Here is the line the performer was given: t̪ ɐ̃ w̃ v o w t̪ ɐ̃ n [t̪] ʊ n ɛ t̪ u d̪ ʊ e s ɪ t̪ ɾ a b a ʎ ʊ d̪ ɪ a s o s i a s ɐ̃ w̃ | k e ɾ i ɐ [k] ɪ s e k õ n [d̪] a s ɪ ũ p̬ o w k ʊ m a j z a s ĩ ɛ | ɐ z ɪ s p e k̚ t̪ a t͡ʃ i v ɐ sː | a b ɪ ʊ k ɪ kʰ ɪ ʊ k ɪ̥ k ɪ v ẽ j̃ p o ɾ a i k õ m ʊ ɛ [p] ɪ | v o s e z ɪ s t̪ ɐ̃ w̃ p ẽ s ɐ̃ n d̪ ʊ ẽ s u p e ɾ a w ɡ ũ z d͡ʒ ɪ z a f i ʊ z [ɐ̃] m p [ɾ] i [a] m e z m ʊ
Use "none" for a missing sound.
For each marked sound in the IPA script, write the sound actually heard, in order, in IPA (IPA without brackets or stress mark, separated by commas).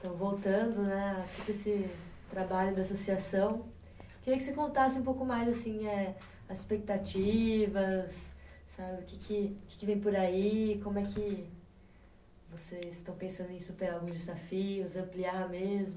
d̪, k, t̪, k, ɐ̃, l, a